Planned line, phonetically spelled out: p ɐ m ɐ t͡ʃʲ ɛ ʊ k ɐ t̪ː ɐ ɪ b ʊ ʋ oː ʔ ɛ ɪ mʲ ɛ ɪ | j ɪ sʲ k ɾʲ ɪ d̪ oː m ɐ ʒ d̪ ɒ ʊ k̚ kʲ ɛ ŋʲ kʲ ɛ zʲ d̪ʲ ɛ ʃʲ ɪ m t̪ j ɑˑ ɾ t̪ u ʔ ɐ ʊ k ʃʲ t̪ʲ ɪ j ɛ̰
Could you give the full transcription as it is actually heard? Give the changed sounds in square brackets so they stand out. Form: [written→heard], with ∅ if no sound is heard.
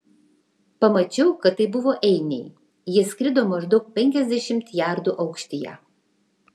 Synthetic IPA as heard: p ɐ m ɐ t͡ʃʲ ɛ ʊ k ɐ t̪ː ɐ ɪ b ʊ ʋ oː ʔ ɛ ɪ [mʲ→nʲ] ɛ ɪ | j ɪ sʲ k ɾʲ ɪ d̪ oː m ɐ ʒ d̪ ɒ ʊ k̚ [kʲ→pʲ] ɛ ŋʲ kʲ ɛ zʲ d̪ʲ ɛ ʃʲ ɪ m t̪ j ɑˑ ɾ [t̪→d̪] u ʔ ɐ ʊ k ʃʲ t̪ʲ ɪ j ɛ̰